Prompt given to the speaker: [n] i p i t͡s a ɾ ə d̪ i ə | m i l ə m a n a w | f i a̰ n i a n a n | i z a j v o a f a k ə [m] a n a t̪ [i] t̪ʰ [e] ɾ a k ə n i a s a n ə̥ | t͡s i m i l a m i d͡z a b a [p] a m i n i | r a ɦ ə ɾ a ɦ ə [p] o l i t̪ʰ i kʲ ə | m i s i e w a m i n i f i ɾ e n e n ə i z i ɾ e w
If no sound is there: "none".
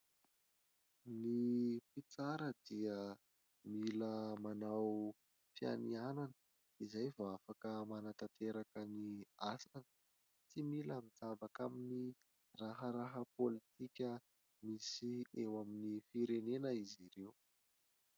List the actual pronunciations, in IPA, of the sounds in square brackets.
n, m, a, e, k, p

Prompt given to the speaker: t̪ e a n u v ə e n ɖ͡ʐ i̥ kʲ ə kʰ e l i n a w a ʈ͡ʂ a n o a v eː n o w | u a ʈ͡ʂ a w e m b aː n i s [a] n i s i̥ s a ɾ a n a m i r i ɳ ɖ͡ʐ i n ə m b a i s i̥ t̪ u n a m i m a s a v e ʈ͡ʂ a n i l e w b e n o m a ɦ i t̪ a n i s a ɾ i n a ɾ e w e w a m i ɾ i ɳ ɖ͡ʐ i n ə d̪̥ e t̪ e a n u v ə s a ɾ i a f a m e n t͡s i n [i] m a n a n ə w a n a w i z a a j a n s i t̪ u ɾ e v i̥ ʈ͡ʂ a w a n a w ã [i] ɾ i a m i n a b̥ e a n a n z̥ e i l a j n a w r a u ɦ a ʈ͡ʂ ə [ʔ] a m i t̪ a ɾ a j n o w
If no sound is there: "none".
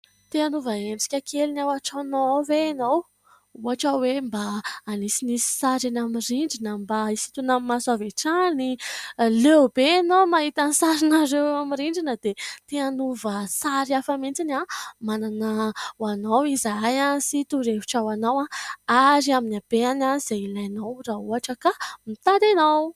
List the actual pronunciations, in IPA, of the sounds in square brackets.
i, a, a, k

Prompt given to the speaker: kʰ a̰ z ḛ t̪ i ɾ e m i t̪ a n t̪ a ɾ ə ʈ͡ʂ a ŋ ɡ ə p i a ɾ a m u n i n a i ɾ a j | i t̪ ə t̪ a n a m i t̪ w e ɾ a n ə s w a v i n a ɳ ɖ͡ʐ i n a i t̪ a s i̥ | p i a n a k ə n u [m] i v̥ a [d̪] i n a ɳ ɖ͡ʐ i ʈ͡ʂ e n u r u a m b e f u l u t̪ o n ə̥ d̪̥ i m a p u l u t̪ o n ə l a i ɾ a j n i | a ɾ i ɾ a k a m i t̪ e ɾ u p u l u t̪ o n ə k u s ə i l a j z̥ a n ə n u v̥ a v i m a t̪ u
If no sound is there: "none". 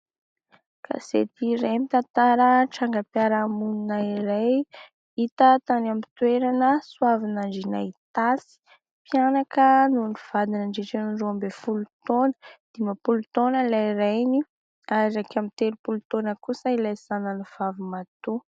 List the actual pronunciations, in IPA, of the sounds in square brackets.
n, d̪

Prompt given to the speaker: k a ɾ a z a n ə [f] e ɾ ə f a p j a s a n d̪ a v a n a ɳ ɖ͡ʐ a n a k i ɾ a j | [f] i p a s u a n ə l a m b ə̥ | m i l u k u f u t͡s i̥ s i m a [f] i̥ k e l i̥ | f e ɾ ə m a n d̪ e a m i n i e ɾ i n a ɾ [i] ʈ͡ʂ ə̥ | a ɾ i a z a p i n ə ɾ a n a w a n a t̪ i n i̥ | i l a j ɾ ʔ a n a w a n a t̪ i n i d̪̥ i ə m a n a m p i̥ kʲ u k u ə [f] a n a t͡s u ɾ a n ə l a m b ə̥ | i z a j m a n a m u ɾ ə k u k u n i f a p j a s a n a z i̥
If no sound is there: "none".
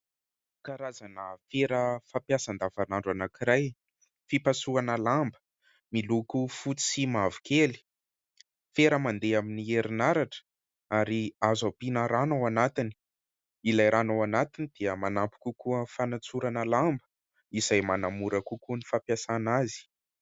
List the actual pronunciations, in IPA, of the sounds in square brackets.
f, f, v, a, f

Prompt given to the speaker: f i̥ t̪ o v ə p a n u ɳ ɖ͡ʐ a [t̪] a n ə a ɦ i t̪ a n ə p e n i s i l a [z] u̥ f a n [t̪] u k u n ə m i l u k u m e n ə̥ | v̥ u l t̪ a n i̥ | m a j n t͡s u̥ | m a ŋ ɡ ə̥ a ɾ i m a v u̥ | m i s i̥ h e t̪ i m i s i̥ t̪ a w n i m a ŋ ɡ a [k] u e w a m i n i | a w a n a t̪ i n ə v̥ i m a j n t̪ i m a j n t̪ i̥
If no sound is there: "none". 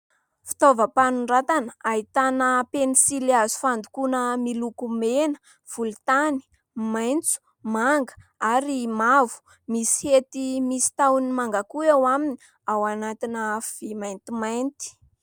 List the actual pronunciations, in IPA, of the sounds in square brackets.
t̪, z, d̪, k

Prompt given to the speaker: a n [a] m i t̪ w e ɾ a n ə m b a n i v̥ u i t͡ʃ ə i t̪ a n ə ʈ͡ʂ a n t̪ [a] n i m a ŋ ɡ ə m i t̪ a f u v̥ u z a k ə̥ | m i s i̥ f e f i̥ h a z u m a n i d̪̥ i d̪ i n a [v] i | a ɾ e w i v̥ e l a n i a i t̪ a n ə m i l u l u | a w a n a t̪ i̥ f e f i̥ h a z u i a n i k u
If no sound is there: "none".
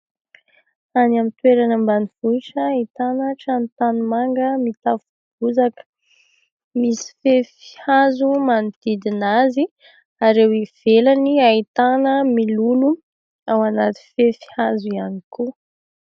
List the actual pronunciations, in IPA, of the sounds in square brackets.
a, a, z

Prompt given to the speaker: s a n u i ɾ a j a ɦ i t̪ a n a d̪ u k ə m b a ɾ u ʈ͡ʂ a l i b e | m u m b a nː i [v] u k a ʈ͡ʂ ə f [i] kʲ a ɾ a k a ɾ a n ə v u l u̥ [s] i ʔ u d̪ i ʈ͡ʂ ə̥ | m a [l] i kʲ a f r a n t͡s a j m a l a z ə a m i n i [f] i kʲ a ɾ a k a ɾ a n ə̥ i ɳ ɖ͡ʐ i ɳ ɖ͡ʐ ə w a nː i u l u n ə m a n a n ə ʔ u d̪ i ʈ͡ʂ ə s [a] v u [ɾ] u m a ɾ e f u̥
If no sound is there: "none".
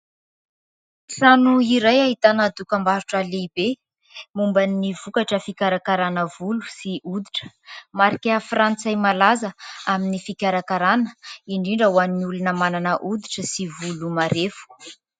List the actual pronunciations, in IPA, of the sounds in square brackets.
v, i, s, ɾ, f, i, l

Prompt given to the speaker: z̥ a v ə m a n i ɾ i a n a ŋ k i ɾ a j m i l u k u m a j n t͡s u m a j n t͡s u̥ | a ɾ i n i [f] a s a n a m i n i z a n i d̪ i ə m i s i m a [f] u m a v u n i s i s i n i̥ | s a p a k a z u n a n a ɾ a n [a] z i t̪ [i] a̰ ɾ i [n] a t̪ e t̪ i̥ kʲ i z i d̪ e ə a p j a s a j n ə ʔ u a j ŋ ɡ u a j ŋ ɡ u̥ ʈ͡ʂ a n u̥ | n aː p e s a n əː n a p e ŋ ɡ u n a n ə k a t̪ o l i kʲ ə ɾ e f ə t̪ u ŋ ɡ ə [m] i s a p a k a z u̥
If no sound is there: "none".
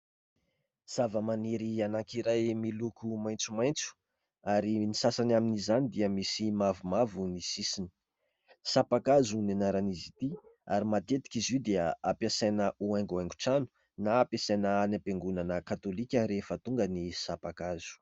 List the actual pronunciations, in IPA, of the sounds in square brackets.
s, v, i, i, m, n

